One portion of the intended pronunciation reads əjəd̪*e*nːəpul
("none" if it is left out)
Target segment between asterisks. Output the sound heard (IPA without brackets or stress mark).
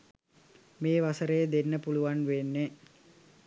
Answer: e